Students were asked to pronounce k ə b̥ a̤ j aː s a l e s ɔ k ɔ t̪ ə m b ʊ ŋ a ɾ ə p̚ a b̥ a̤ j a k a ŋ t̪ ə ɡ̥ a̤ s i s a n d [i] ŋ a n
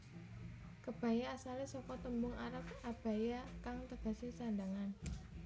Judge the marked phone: incorrect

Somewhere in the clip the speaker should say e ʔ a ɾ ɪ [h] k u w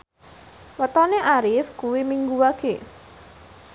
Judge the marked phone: incorrect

